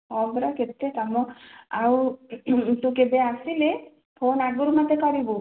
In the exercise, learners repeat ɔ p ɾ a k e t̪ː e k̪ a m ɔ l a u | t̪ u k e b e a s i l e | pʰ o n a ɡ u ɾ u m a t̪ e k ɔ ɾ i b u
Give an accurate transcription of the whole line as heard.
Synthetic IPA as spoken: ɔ b ɾ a k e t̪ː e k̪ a m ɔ a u | t̪ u k e b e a s i l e | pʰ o n a ɡ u ɾ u m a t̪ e k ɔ ɾ i b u